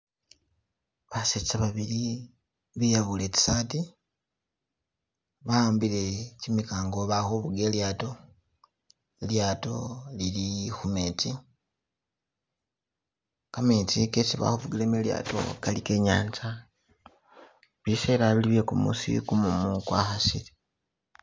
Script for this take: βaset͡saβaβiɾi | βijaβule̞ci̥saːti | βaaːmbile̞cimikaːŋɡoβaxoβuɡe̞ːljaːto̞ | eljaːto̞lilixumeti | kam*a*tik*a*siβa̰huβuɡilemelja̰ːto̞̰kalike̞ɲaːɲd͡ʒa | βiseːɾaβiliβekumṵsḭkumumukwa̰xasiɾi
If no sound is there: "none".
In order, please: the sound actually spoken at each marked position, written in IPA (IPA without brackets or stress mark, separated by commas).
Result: e, e